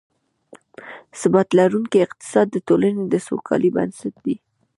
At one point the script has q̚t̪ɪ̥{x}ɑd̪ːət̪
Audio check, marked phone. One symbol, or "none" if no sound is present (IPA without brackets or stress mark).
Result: s